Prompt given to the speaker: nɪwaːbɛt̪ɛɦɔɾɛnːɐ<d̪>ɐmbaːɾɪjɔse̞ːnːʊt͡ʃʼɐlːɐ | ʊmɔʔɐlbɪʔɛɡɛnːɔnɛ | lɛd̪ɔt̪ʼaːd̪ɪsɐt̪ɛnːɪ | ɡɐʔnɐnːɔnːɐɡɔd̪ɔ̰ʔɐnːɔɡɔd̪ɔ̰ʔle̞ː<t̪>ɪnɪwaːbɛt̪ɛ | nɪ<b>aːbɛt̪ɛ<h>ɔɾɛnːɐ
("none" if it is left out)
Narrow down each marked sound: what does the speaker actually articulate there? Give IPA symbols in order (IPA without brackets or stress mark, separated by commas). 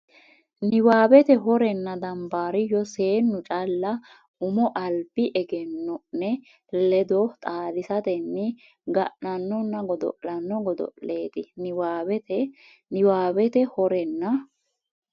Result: d̪, t̪, w, h